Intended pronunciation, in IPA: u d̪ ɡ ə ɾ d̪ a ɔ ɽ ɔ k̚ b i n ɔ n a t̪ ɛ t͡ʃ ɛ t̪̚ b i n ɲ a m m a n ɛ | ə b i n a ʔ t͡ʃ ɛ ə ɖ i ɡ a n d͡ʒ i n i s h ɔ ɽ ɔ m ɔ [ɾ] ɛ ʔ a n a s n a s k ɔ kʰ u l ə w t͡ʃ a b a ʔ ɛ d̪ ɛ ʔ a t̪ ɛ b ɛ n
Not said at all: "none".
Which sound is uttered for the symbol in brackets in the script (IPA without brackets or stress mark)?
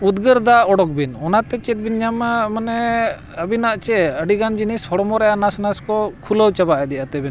ɾ